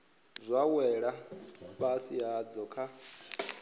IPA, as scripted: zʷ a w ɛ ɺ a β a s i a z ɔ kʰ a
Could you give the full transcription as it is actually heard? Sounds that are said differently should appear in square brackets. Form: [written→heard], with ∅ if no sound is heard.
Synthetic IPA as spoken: zʷ a w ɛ ɺ a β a s i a [z→d͡z] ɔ kʰ a